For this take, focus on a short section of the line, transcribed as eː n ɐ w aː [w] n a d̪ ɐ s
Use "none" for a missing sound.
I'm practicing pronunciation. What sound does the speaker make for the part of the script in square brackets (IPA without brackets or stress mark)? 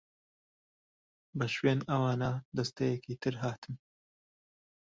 none